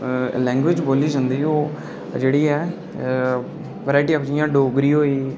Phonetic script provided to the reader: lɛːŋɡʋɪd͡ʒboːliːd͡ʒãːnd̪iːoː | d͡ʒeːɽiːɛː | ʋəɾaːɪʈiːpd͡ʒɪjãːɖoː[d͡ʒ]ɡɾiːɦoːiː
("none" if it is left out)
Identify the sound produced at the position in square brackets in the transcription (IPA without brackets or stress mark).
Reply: none